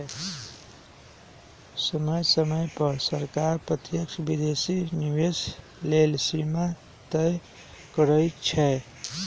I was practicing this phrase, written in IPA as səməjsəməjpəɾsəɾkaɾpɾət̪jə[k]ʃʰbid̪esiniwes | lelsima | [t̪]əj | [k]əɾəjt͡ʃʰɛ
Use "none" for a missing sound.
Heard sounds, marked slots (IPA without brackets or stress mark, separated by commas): k, t̪, k